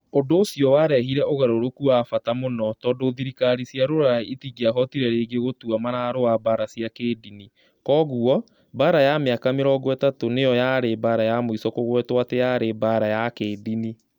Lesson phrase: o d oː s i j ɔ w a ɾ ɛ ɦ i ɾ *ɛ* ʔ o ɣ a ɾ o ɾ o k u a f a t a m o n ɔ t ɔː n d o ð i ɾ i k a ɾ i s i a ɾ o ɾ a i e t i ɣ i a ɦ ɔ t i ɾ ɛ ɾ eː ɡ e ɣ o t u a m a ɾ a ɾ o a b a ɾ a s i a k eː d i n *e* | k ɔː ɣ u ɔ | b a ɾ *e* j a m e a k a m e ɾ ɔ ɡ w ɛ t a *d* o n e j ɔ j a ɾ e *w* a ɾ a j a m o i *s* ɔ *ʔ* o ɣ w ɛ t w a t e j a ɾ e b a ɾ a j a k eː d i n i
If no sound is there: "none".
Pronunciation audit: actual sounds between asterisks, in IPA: ɛ, i, a, t, b, s, k

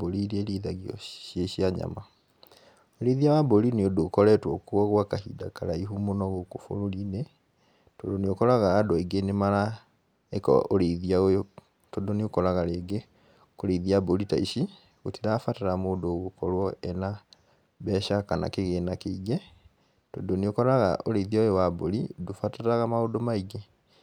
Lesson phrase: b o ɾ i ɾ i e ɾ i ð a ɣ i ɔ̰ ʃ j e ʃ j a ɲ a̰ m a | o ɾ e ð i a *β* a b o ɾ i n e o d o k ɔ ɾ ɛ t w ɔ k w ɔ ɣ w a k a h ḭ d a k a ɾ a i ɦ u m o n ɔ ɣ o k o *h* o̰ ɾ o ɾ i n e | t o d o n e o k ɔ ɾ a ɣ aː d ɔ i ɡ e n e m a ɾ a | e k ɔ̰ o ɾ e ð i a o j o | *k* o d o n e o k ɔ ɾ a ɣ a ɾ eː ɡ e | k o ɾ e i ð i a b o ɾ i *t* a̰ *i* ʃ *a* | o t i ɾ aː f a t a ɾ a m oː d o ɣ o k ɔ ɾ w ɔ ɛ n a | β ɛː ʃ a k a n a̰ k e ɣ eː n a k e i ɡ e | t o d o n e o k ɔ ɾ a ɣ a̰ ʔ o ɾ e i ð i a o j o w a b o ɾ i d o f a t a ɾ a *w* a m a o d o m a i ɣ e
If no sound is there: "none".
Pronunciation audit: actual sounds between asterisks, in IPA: w, f, t, t, i, i, ɣ

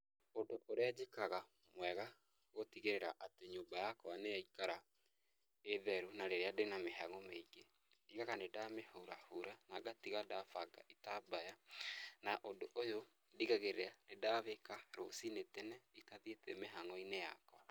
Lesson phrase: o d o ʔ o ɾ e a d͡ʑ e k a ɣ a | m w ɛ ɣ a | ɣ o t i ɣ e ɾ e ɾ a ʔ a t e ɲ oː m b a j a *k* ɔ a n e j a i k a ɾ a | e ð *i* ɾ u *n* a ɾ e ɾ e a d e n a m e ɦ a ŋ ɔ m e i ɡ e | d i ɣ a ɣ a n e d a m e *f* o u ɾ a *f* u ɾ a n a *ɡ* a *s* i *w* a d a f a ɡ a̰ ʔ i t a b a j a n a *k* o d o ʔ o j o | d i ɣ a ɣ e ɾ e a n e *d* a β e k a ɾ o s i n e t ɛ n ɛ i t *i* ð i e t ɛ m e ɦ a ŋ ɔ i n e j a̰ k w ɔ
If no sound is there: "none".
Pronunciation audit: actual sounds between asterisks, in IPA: k, ɛ, n, h, h, ɡ, t, ɣ, ʔ, d, a

